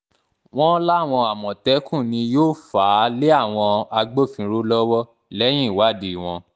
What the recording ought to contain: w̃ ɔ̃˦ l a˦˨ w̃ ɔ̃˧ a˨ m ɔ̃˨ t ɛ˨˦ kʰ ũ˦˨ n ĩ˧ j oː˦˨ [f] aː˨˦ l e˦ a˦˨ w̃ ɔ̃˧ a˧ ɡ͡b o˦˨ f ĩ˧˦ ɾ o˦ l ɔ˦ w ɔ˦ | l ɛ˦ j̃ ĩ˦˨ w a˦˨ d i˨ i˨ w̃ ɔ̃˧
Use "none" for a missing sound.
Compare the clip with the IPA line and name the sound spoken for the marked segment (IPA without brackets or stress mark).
f